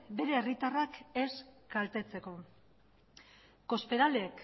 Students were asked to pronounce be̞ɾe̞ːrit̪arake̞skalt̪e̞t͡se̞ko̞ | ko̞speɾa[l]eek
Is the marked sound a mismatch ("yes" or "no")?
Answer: no